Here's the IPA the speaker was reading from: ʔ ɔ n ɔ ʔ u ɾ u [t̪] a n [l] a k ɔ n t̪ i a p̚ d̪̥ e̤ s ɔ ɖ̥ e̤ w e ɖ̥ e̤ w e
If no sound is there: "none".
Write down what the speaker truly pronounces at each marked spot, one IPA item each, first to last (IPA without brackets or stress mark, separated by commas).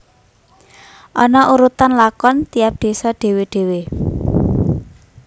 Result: t̪, l